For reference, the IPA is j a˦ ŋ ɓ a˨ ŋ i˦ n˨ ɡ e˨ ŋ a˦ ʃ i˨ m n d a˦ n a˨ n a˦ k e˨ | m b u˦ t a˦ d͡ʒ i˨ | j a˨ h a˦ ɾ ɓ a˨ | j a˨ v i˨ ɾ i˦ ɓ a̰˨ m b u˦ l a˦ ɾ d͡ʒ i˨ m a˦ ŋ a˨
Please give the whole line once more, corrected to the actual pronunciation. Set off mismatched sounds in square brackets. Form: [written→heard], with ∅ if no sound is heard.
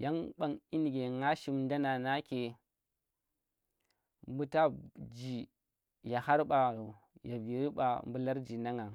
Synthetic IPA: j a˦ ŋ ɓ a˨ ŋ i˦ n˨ ɡ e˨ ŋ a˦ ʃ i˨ m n d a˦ n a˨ n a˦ k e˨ | m b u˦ t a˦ d͡ʒ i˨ | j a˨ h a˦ ɾ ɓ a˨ | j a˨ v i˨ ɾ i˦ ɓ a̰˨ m b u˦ l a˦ ɾ d͡ʒ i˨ [m→n] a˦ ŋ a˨

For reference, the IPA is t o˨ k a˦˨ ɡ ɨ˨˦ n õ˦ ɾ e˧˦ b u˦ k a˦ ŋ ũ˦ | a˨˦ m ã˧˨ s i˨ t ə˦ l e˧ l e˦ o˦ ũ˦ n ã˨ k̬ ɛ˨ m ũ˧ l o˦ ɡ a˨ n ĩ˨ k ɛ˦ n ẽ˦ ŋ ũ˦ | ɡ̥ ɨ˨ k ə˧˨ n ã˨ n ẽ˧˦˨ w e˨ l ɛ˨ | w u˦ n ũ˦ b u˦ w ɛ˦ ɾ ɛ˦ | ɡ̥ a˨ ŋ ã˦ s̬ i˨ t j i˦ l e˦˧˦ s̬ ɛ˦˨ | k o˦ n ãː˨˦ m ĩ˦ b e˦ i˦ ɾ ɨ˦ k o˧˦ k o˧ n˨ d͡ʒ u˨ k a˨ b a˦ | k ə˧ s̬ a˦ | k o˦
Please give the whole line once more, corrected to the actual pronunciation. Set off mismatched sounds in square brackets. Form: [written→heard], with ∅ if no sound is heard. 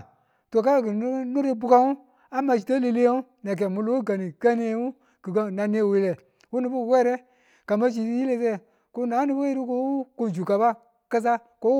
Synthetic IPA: t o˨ k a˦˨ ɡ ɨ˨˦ n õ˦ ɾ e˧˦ b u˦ k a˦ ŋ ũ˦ | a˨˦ m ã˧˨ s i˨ t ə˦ l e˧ l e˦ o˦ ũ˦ n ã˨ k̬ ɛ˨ m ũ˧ l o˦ ɡ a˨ n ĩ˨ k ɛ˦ n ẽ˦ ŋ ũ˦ | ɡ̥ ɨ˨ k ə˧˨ n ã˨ n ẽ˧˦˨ w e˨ l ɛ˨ | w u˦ n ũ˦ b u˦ w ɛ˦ ɾ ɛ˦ | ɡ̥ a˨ [ŋ→m] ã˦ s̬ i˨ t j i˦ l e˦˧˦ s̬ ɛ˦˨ | k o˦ n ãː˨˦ [m→n] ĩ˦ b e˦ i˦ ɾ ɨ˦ k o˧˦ k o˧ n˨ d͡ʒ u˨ k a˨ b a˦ | k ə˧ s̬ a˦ | k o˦

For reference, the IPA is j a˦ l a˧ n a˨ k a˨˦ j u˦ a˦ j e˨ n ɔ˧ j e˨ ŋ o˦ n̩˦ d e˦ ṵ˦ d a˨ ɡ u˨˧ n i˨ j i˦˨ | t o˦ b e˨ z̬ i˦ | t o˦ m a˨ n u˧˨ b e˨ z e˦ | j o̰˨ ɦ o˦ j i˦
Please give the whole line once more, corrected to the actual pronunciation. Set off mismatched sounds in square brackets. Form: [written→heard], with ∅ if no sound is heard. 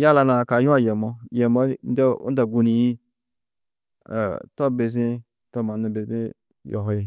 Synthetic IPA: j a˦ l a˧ n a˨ k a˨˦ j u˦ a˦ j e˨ [n→m] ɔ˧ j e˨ [ŋ→m] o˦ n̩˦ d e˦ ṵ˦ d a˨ ɡ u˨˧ n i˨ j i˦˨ | t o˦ b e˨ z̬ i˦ | t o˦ m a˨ n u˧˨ b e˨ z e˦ | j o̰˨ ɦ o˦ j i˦

